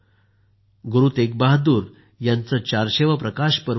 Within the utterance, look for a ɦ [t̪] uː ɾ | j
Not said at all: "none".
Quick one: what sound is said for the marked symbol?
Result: d̪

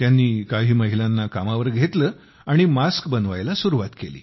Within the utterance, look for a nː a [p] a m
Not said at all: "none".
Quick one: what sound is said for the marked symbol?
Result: k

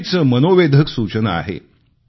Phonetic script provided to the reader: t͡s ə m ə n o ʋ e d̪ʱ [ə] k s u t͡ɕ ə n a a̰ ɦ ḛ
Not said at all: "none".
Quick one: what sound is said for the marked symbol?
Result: ə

